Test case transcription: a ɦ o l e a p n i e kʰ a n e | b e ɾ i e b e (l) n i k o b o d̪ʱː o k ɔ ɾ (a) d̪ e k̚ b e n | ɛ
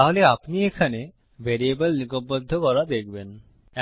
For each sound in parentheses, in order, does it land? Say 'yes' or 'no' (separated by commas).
yes, yes